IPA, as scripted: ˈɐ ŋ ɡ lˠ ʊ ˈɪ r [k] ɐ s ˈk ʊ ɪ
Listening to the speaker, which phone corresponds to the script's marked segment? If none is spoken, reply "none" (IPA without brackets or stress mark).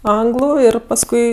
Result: p